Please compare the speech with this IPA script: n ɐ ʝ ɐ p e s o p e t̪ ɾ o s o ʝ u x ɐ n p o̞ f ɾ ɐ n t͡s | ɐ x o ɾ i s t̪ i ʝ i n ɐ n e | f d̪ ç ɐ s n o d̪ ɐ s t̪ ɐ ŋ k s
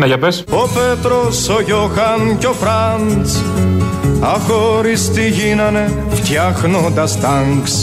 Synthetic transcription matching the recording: n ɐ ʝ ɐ p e s o p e t̪ ɾ o s o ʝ o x ɐ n c o̞ f ɾ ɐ n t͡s | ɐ x o ɾ i s t̪ i ʝ i n ɐ n e | f t̪ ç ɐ x n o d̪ ɐ s t̪ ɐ ŋ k s